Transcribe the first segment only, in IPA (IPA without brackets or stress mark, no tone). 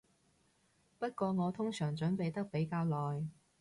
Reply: p